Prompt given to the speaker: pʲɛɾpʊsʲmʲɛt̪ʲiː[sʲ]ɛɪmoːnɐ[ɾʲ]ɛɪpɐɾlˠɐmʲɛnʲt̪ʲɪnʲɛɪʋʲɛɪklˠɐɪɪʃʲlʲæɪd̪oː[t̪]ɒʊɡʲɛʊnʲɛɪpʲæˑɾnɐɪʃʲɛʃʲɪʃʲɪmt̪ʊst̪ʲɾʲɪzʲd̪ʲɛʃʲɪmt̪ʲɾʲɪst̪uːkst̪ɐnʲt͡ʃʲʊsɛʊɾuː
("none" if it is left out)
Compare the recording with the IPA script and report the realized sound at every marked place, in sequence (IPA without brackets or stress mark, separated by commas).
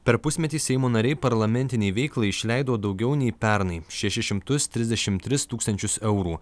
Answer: sʲ, ɾʲ, d̪